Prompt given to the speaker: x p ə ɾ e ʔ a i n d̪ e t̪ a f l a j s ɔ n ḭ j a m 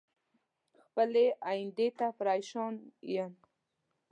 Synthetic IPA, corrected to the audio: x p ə l e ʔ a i n d̪ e t̪ a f ɾ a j ʃ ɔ n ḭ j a n